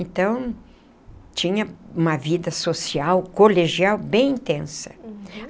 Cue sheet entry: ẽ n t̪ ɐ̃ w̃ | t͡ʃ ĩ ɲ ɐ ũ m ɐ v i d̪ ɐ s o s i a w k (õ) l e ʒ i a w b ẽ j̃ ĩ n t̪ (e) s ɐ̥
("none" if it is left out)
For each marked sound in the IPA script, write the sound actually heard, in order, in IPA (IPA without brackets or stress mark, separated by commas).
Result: o, ẽ